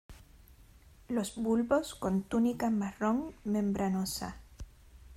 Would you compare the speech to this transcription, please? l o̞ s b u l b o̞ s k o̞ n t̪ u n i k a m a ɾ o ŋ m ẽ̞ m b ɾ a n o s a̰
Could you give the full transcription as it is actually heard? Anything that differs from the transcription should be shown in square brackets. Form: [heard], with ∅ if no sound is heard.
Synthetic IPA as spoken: l o̞ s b u l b o̞ s k o̞ n t̪ u n i k a m a [r] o ŋ m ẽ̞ m b ɾ a n o s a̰